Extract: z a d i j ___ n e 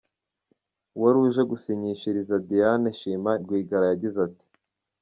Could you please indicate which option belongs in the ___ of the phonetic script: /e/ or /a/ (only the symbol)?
a